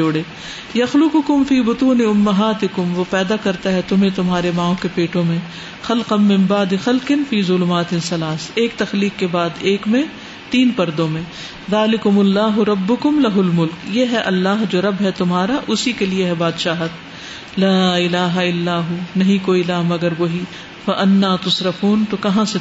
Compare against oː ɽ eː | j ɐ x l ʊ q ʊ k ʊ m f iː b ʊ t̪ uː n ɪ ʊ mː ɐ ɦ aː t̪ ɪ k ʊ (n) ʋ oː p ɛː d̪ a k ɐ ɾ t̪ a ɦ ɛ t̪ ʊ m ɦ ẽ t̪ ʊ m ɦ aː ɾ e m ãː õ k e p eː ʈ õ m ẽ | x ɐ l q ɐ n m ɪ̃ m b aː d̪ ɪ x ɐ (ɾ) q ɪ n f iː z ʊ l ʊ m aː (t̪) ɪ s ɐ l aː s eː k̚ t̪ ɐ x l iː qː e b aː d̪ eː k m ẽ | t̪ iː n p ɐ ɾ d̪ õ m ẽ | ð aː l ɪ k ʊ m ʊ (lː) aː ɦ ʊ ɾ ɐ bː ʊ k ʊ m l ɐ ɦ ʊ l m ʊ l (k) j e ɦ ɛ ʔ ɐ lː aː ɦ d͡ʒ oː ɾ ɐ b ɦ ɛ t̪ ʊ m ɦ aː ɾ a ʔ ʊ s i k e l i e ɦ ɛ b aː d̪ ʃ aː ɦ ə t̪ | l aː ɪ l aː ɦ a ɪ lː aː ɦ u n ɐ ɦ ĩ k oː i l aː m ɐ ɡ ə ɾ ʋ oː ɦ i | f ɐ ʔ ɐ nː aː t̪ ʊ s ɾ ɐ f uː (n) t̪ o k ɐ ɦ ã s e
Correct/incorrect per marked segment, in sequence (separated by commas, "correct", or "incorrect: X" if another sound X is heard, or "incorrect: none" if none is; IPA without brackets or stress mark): incorrect: m, incorrect: l, correct, correct, correct, correct